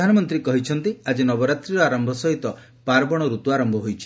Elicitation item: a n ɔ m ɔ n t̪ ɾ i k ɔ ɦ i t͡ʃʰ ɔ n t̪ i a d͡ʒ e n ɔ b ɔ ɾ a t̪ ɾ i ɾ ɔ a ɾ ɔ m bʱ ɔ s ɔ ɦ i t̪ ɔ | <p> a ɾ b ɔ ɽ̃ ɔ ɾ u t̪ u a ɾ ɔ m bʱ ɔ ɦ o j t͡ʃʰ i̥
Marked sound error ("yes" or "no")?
no